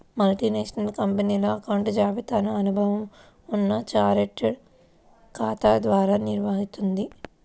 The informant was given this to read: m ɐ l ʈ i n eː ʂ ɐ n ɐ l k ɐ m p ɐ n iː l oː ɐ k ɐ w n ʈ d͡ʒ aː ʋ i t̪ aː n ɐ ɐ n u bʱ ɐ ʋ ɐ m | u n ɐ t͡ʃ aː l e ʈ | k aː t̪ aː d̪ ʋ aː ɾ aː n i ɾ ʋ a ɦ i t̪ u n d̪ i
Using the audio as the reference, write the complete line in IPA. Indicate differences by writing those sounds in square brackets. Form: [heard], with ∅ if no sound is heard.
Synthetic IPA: m ɐ l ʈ i n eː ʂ ɐ n ɐ l k ɐ m p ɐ n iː l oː ɐ k ɐ w [ɳ] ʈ d͡ʒ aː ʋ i t̪ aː n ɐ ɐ n u bʱ ɐ ʋ ɐ m | u [nː] ɐ t͡ʃ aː [ɾ] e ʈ | k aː t̪ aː d̪ ʋ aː ɾ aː n i ɾ ʋ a ɦ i t̪ u n d̪ i